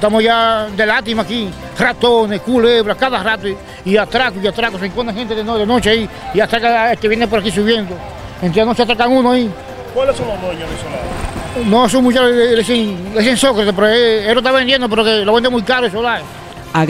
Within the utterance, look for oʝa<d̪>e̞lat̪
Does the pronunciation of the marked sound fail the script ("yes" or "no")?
no